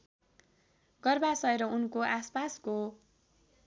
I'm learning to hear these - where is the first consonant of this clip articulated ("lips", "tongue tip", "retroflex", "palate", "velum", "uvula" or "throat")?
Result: velum